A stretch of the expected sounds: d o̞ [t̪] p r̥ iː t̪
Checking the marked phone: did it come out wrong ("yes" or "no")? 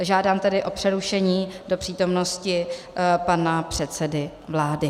yes